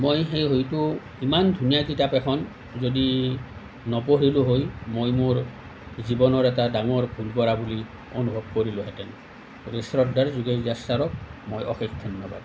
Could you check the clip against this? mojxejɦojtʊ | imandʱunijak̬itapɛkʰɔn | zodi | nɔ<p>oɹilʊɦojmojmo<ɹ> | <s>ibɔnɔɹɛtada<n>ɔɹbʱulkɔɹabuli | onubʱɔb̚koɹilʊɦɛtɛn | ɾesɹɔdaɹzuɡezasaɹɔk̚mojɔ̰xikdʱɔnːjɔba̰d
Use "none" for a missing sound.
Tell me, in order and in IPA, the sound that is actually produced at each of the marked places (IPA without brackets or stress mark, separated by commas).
p, ɹ, z, ŋ